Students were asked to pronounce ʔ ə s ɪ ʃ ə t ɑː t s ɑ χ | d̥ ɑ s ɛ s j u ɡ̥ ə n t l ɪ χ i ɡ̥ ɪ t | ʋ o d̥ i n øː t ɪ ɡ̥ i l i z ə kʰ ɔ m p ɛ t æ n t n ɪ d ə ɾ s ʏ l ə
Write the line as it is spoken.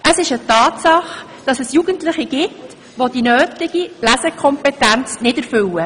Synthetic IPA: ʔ ə s ɪ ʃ ə t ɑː t s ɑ χ | d̥ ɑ s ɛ s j u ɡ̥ ə n t l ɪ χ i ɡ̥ ɪ t | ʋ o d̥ i n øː t ɪ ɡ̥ i l æ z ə kʰ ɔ m p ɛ t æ n t͡s n ɪ d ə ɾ f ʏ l ə